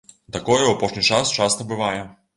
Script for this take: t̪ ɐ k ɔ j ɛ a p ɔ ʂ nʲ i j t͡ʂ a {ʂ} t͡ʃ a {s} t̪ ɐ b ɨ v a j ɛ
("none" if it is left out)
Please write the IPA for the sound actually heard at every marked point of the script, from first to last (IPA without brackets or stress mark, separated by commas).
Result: s, s